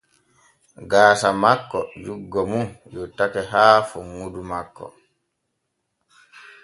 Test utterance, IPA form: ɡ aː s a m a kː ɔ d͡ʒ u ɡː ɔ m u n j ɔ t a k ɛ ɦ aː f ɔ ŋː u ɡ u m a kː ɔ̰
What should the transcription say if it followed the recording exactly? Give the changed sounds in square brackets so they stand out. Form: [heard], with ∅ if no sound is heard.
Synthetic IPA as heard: ɡ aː s a m a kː ɔ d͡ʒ u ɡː ɔ m u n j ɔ t a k ɛ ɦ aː f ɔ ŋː u [d] u m a kː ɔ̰